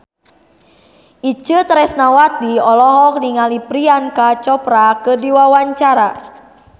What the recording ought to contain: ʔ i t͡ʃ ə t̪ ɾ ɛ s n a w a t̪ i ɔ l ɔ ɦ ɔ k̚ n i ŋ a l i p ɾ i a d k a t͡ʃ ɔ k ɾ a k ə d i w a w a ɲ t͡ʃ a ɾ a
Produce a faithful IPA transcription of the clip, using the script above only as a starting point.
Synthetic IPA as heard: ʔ i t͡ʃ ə t̪ ɾ ɛ s n a w a t̪ i ɔ l ɔ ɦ ɔ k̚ n i ŋ a l i p ɾ i a n k a t͡ʃ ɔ p ɾ a k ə d i w a w a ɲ t͡ʃ a ɾ a